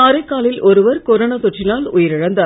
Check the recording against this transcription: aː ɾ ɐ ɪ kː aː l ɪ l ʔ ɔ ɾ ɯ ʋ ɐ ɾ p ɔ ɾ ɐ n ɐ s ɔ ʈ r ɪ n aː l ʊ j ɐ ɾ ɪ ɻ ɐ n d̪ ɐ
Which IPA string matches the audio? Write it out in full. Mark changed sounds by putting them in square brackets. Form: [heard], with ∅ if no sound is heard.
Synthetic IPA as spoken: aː ɾ ɐ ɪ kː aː l ɪ l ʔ ɔ ɾ ɯ ʋ ɐ ɾ [k] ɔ ɾ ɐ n ɐ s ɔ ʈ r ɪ n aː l ʊ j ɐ ɾ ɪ ɻ ɐ n d̪ ɐ